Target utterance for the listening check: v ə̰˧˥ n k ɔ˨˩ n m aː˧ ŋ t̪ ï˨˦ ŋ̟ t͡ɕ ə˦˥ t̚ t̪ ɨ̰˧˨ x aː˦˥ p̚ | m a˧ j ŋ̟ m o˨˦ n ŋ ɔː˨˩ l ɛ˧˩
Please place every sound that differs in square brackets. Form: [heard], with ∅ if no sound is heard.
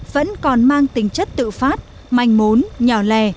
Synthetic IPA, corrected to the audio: v ə̰˧˥ n k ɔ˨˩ n m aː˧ ŋ t̪ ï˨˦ ŋ̟ t͡ɕ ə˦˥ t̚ t̪ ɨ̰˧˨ [f] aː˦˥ [t̚] | m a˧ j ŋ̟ m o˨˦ n [ɲ] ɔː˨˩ l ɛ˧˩